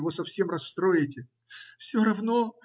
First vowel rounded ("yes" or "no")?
yes